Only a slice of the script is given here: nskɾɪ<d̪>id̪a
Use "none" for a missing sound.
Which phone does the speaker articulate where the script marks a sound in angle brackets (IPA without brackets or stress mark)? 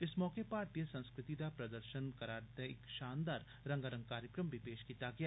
t̪